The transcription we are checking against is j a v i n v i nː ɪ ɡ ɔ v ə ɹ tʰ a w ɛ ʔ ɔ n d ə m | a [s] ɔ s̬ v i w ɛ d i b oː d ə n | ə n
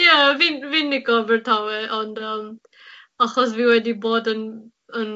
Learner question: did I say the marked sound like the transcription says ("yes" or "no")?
no